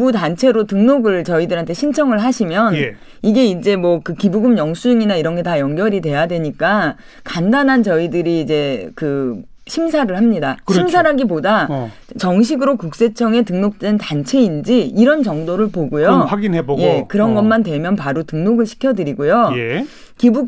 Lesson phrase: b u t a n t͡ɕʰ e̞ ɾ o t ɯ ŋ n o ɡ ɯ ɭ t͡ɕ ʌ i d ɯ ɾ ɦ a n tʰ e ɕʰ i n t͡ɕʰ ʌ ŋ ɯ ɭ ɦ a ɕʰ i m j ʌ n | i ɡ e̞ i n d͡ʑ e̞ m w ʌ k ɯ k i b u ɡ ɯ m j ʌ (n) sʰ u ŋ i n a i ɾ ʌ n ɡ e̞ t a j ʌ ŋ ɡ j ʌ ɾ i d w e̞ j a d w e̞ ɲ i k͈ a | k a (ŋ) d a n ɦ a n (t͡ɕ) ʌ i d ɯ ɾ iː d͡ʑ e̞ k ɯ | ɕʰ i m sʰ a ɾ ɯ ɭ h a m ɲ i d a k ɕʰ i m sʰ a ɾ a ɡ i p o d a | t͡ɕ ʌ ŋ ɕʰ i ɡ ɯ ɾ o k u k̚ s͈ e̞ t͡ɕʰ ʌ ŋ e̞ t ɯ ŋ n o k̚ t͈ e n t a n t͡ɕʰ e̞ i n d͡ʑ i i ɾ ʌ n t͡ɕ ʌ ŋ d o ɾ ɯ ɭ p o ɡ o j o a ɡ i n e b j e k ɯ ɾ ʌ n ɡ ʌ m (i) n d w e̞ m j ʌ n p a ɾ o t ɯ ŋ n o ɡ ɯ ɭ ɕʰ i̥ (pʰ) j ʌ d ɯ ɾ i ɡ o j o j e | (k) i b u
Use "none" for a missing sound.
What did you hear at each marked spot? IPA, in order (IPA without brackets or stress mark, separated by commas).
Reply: ŋ, n, t͡ɕ, a, kʰ, k